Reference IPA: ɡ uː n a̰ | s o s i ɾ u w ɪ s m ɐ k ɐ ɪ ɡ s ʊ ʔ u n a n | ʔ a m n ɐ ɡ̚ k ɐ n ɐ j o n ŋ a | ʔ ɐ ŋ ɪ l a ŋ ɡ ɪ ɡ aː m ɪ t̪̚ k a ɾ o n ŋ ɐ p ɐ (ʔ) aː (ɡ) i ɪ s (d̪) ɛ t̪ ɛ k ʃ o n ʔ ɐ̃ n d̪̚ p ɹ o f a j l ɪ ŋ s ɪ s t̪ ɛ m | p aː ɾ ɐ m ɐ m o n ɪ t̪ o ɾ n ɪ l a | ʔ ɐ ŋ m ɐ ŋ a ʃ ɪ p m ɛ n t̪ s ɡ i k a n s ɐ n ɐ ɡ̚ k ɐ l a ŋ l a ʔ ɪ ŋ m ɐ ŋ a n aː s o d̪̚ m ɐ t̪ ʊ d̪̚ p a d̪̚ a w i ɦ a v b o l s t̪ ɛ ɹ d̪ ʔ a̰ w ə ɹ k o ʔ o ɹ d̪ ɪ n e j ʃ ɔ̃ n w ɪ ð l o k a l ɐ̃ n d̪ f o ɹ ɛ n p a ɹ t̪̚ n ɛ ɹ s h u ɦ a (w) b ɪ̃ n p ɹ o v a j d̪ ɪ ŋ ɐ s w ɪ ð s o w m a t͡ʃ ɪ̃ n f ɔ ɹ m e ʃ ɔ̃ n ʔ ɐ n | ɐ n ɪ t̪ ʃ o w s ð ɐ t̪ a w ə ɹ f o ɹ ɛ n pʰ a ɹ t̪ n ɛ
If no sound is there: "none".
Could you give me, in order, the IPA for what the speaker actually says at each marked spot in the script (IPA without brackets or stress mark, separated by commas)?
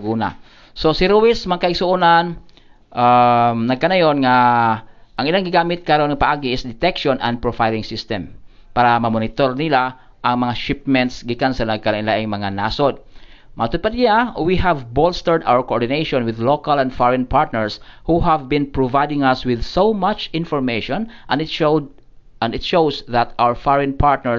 ʔ, ɡ, d̪, v